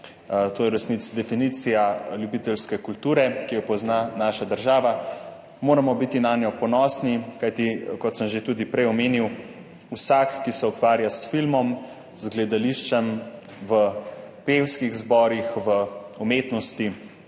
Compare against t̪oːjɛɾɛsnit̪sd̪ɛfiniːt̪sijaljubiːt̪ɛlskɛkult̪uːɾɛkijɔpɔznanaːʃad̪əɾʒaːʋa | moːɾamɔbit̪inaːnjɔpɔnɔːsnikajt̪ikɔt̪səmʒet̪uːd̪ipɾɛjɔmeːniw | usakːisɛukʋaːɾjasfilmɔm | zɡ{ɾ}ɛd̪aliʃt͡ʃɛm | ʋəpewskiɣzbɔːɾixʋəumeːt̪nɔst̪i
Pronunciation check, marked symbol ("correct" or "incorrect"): incorrect